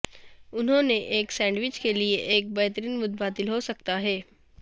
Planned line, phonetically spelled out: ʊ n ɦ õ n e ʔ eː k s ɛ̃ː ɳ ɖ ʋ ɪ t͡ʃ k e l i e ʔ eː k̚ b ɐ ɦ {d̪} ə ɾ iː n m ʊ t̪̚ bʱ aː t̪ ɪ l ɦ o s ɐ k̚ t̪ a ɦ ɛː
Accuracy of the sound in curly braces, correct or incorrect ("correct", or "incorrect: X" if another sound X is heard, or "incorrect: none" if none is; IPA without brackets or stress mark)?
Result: incorrect: t̪